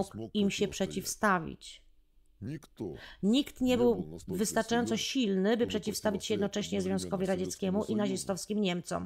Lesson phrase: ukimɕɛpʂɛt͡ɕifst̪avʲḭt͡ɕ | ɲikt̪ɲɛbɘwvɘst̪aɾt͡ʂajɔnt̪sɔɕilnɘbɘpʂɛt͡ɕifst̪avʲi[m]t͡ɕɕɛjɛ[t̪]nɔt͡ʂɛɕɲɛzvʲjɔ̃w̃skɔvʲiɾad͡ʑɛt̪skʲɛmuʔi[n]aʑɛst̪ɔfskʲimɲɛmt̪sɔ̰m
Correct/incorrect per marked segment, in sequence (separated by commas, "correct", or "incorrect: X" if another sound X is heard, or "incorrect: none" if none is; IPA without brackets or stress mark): incorrect: none, incorrect: d̪, correct